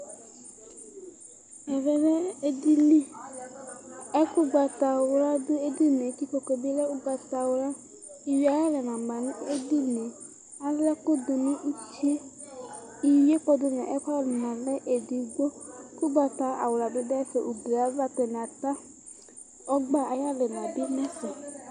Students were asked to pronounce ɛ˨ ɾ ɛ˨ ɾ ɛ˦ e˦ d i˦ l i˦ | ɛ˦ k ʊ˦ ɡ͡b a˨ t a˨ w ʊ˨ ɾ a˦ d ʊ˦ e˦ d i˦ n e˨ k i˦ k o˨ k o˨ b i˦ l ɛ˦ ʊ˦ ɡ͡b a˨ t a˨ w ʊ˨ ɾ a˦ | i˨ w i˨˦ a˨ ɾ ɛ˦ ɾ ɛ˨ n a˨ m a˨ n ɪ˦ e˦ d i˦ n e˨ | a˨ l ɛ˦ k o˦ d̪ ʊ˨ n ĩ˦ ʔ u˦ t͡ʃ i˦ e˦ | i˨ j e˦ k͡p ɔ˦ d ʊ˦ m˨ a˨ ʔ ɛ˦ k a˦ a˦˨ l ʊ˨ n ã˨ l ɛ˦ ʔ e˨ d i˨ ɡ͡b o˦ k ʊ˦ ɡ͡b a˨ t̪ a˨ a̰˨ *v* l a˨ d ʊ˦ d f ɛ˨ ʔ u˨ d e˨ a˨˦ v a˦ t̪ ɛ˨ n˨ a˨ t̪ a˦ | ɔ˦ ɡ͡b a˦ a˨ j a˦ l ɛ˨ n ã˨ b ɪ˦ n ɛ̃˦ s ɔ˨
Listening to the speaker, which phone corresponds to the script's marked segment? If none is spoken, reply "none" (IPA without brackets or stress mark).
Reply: w